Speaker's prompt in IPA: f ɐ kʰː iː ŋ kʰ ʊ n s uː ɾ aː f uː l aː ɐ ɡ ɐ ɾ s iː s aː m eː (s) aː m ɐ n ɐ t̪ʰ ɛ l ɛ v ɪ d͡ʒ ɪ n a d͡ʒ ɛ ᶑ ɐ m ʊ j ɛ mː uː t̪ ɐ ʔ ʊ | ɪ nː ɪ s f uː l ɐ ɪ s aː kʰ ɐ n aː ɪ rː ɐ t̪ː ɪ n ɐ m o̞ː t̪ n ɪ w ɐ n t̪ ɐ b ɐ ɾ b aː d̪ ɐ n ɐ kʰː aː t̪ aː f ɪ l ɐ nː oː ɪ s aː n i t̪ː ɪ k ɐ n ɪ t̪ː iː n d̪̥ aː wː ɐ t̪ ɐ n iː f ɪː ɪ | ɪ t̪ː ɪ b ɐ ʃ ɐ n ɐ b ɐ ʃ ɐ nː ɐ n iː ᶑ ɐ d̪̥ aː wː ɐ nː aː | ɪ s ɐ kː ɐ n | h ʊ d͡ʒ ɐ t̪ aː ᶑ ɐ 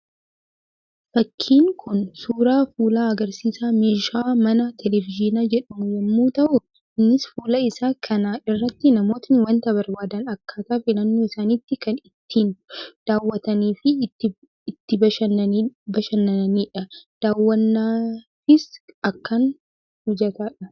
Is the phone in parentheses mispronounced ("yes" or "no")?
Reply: yes